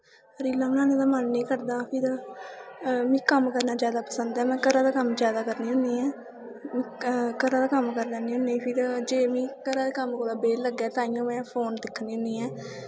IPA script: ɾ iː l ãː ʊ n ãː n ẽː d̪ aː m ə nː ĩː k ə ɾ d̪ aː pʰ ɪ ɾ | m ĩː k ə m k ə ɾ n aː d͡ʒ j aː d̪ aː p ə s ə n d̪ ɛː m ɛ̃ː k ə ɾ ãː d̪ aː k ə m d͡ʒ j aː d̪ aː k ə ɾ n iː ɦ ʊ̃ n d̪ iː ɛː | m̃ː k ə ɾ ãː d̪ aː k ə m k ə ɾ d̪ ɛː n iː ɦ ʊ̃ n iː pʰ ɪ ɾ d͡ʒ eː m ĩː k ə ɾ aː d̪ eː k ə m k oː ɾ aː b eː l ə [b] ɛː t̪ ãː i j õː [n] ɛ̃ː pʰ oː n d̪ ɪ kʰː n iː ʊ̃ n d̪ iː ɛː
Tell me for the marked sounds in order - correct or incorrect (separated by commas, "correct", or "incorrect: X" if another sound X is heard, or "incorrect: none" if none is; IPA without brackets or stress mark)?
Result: incorrect: ɡ, incorrect: m